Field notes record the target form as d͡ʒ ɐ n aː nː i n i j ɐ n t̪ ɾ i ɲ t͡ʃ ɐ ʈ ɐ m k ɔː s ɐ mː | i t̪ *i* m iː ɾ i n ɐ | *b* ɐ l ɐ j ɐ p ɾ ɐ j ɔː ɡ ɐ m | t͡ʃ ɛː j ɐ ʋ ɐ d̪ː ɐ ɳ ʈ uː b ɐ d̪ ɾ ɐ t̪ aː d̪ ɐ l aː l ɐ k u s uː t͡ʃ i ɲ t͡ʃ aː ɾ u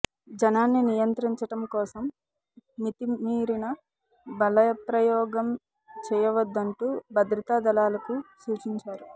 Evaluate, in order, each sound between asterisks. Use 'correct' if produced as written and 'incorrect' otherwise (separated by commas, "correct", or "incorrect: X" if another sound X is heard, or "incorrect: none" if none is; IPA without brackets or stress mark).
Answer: correct, correct